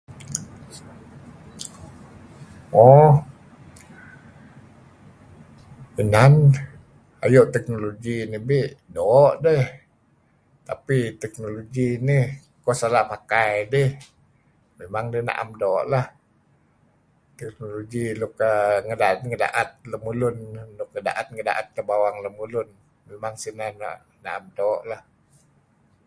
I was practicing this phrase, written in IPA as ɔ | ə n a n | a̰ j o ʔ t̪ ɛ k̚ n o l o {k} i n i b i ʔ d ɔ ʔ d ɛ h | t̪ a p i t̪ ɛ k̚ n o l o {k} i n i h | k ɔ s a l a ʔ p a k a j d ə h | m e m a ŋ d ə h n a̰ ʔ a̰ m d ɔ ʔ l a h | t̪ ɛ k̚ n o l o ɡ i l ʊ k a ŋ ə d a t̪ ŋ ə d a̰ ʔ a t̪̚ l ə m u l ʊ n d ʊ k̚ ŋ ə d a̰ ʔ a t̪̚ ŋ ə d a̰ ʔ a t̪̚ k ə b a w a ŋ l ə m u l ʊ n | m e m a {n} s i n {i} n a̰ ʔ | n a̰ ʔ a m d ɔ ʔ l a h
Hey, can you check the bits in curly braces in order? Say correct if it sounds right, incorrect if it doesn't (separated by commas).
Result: incorrect, incorrect, incorrect, incorrect